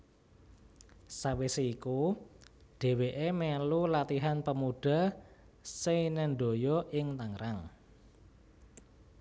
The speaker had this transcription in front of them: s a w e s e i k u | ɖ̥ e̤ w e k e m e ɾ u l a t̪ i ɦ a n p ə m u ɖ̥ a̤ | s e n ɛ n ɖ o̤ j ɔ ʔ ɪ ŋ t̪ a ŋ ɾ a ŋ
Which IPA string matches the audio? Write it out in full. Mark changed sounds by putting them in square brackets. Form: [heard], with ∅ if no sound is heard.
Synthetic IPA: s a w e s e i k u | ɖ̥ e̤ w e [ʔ] e m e [l] u l a t̪ i ɦ a n p ə m u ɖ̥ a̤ | s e n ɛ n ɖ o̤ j ɔ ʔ ɪ ŋ t̪ a ŋ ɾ a ŋ

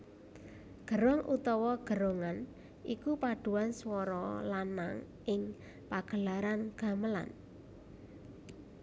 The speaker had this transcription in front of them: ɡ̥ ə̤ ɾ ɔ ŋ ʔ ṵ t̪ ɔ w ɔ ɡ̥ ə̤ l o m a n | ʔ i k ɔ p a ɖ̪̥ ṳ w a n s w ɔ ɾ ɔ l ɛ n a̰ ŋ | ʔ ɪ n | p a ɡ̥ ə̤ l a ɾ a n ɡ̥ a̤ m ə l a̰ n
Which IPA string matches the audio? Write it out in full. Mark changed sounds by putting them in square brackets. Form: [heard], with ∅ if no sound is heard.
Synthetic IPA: ɡ̥ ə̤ ɾ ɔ ŋ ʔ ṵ t̪ ɔ w ɔ ɡ̥ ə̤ [ɾ] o [ŋ] a n | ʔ i k [u] p a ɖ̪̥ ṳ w a n s w ɔ ɾ ɔ l [a] n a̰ ŋ | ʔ ɪ [ŋ] | p a ɡ̥ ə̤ l a ɾ a n ɡ̥ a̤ m ə l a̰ n

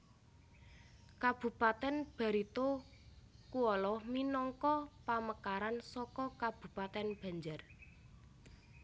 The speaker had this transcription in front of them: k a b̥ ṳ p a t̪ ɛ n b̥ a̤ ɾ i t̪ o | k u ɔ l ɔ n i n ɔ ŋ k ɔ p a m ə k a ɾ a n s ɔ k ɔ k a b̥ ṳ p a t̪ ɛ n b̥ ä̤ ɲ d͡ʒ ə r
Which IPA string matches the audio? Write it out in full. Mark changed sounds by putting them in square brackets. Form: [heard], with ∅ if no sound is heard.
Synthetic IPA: k a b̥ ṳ p a t̪ ɛ n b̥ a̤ ɾ i t̪ o | k u ɔ l ɔ [m] i n ɔ ŋ k ɔ p a m ə k a ɾ a n s ɔ k ɔ k a b̥ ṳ p a t̪ ɛ n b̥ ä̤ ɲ d͡ʒ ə r

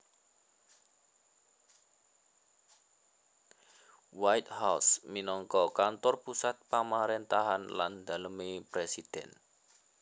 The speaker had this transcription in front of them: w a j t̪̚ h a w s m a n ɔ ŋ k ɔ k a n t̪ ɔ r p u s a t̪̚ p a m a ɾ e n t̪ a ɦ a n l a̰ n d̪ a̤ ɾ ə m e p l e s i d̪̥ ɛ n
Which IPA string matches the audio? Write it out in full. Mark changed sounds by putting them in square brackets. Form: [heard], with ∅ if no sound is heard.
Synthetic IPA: w a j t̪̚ h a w s m [i] n ɔ ŋ k ɔ k a n t̪ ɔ r p u s a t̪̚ p a m a ɾ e n t̪ a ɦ a n l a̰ n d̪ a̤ [l] ə m e p [ɾ] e s i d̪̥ ɛ n

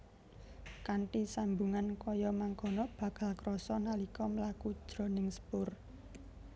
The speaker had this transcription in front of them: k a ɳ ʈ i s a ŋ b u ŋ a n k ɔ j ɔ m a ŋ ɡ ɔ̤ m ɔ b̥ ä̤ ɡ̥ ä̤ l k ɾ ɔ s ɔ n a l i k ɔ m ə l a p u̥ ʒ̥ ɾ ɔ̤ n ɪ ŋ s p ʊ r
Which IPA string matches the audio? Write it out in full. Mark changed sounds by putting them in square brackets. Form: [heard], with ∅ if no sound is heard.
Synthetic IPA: k a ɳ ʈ i s a [m] b u ŋ a n k ɔ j ɔ m a ŋ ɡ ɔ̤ [n] ɔ b̥ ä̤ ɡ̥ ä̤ l k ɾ ɔ s ɔ n a l i k ɔ m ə l a [k] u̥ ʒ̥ ɾ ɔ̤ n ɪ ŋ s p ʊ r

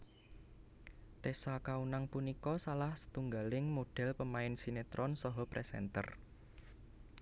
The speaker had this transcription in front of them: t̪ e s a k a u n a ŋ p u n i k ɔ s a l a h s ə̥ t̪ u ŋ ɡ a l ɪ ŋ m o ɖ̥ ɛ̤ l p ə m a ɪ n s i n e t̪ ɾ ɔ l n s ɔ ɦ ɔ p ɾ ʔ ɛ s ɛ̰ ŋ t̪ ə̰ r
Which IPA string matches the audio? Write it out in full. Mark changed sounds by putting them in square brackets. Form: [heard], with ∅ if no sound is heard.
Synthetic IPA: t̪ e s a k a u n a ŋ p u n i k ɔ s a l a h s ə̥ t̪ u ŋ ɡ a l ɪ ŋ m o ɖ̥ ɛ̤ l p ə m a ɪ n s i n e t̪ ɾ ɔ [∅] n s ɔ ɦ ɔ p ɾ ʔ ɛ s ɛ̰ [n] t̪ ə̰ r

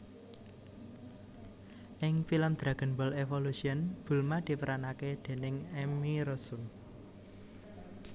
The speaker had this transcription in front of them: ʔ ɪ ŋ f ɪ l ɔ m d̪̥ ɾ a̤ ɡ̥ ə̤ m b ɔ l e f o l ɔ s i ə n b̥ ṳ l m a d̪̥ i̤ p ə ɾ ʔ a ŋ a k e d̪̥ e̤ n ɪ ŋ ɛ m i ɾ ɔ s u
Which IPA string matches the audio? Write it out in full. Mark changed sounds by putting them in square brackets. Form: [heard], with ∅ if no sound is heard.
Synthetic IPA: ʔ ɪ ŋ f [i] l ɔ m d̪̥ ɾ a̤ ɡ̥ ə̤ [n] b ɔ l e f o l [u] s i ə n b̥ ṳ l m a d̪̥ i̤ p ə ɾ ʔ a [n] a k e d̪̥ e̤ n ɪ ŋ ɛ m i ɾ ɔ s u

